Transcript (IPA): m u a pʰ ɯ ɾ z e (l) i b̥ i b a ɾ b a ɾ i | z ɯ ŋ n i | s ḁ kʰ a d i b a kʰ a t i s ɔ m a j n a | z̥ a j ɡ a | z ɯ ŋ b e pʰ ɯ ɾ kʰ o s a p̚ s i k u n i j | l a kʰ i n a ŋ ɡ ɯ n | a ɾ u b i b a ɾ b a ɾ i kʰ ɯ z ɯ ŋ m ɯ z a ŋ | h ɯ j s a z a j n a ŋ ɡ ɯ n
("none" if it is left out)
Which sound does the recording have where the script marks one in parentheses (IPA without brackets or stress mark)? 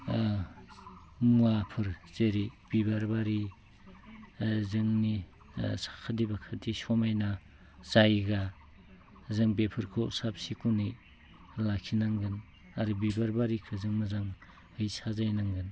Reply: ɾ